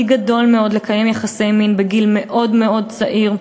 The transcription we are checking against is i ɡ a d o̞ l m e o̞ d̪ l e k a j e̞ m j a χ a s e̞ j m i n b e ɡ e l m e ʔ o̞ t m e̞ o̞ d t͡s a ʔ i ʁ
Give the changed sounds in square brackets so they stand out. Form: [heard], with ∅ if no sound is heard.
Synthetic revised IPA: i ɡ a d o̞ l m e o̞ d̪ l e k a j e̞ m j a χ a s e̞ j m i n b e ɡ [i] l m e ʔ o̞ [d] m e̞ o̞ d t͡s a ʔ i ʁ